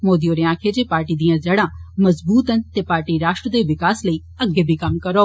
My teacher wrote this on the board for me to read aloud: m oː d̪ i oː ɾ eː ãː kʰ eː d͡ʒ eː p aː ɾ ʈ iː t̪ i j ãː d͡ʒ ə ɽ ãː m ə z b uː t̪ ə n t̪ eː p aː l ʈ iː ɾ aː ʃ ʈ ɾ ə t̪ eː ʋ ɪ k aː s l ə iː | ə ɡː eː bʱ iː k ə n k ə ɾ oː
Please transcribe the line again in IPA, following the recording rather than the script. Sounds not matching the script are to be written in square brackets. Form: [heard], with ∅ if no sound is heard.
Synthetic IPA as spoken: m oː d̪ i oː ɾ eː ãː kʰ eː d͡ʒ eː p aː ɾ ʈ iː [d̪] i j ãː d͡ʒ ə ɽ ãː m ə z b uː t̪ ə n t̪ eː p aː [ɾ] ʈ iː ɾ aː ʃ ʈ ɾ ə [d̪] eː ʋ ɪ k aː s l ə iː | ə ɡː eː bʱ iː k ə [m] k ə ɾ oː